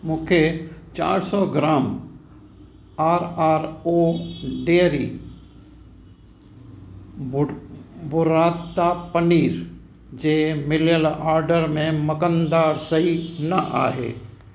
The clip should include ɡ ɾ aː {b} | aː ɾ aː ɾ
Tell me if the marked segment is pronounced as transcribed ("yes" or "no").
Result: no